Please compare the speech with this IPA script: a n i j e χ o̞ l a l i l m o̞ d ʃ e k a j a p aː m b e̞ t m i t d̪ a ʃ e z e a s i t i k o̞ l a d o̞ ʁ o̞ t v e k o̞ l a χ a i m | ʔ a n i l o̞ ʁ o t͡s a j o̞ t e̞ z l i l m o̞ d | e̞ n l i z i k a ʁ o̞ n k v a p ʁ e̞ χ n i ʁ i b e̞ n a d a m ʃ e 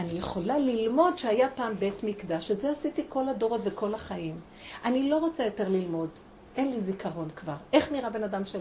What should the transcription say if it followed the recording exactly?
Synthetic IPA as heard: a n i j e χ o̞ l a l i l m o̞ d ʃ e a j a p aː m b e̞ t m i k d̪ a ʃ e z e a s i t i k o̞ l a d o̞ ʁ o̞ t v e k o̞ l a χ a i m | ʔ a n i l o̞ ʁ o t͡s a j o̞ t e̞ ʁ l i l m o̞ d | e̞ n l i z i k a ʁ o̞ n k v a ʁ e̞ χ n i ʁ a b e̞ n a d a m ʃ e